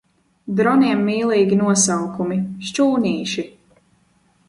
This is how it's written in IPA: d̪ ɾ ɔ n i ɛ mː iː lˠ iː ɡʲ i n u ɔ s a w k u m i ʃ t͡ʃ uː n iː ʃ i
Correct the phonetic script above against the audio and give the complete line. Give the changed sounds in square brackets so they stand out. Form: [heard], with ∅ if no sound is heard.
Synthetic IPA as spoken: d̪ ɾ ɔ n i ɛ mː iː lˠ iː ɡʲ i n u ɔ s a w k u m i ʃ t͡ʃ uː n iː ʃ i

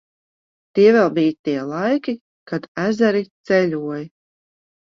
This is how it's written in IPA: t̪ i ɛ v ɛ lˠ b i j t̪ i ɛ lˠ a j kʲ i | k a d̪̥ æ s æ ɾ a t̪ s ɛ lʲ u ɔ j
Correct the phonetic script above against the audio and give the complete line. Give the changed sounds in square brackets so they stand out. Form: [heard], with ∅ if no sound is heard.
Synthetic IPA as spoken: t̪ i ɛ v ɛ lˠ b i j t̪ i ɛ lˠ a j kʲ i | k a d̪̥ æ [z] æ ɾ [i] t̪ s ɛ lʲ u ɔ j

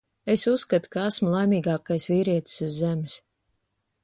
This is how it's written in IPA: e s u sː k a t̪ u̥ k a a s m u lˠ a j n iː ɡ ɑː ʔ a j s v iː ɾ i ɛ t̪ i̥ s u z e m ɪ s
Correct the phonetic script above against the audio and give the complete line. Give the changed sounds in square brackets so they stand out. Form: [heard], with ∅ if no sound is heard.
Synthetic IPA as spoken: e s u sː k a t̪ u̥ k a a s m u lˠ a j [m] iː ɡ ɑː [k] a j s v iː ɾ i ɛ t̪ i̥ s u [zː] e m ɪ s

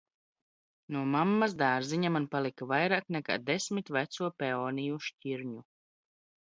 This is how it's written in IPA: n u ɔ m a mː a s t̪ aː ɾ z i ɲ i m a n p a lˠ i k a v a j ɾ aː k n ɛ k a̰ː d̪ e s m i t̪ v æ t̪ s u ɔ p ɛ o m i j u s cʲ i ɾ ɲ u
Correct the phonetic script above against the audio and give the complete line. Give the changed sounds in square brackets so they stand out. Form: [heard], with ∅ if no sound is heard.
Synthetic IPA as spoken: n u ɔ m a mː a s [d̪] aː ɾ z i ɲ [a] m a n p a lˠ i k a v a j ɾ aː k n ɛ k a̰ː d̪ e s m i t̪ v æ t̪ s u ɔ p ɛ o [n] i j u [ʃ] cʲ i ɾ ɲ u

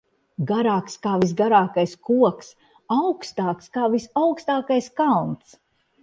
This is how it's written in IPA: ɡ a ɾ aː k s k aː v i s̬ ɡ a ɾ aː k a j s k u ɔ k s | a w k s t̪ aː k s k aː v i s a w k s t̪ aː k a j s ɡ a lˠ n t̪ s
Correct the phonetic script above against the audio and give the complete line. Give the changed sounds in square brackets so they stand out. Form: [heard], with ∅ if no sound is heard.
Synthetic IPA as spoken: ɡ a ɾ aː k s k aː v i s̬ ɡ a ɾ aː k a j s k u ɔ k s | a w k s t̪ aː k s k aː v i s a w k s t̪ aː k a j s [k] a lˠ n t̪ s

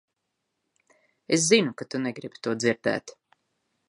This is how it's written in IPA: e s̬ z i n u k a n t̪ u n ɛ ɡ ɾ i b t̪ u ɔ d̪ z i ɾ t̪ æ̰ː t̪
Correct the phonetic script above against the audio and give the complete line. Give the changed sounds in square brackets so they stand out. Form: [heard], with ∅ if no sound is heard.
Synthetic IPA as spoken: e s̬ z i n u k a [∅] t̪ u n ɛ ɡ ɾ i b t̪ u ɔ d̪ z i ɾ [d̪] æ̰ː t̪

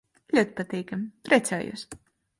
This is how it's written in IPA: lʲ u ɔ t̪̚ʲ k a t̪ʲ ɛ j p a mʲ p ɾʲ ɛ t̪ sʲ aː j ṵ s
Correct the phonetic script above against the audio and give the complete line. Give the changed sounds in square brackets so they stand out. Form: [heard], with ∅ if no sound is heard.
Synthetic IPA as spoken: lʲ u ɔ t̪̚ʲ [p] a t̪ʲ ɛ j [k] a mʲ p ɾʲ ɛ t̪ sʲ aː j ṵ s

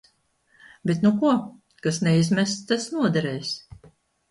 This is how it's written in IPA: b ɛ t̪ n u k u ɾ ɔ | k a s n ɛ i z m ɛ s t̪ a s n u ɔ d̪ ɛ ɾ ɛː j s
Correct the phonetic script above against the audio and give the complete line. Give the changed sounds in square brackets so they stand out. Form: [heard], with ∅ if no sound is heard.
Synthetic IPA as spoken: b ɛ t̪ n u k u [∅] ɔ | k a s n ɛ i z m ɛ s t̪ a s n u ɔ d̪ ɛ ɾ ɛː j s

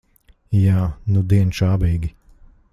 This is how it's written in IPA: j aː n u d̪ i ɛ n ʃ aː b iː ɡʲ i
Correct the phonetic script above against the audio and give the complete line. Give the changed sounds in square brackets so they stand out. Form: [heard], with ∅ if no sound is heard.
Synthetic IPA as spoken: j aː n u d̪ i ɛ n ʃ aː b iː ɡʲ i

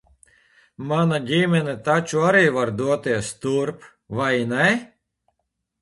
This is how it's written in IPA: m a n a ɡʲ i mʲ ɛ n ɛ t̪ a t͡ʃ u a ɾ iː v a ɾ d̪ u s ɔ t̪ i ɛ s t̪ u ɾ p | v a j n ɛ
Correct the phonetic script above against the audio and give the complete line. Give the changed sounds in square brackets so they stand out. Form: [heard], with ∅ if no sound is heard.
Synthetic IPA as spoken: m a n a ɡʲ i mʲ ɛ n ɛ t̪ a t͡ʃ u a ɾ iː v a ɾ d̪ u [∅] ɔ t̪ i ɛ s t̪ u ɾ p | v a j n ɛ

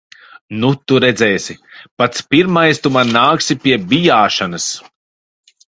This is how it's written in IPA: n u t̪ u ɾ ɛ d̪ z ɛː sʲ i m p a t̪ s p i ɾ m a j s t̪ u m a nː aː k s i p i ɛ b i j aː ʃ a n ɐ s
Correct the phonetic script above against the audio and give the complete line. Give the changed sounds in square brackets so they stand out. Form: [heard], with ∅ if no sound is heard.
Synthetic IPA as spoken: n u t̪ u ɾ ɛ d̪ z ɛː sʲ i [∅] p a t̪ s p i ɾ m a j s t̪ u m a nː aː k s i p i ɛ b i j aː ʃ a n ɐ s

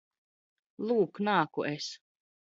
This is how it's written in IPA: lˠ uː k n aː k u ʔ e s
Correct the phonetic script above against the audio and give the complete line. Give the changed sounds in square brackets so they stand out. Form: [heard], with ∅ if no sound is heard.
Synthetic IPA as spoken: lˠ uː k n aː k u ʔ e s

